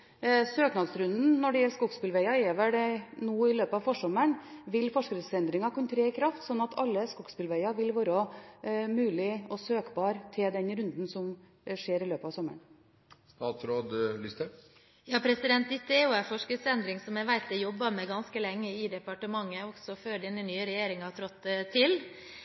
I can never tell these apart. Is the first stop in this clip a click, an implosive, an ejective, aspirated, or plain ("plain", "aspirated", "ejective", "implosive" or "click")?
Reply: plain